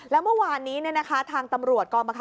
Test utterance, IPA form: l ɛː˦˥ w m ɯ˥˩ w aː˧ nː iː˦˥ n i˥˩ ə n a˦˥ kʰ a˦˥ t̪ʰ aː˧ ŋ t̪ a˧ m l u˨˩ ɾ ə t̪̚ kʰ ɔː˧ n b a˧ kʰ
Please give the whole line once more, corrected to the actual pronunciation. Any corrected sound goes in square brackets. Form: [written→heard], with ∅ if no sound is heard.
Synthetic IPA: l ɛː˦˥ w m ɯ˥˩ w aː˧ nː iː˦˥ n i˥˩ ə n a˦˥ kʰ a˦˥ t̪ʰ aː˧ ŋ t̪ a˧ m [l→ɾ] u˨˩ [ɾ→∅] ə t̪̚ [kʰ→k] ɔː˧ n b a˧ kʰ